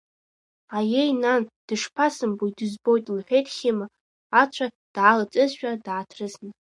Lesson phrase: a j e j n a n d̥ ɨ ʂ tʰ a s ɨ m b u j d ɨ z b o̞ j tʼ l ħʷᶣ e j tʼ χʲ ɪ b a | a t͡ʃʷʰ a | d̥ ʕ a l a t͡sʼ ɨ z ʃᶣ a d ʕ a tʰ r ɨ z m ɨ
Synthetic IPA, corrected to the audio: a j e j n a n d̥ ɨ ʂ pʰ a s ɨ m b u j d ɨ z b o̞ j tʼ l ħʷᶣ e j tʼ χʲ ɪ m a | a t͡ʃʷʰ a | d̥ ʕ a l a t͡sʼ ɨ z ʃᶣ a d ʕ a tʰ r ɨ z n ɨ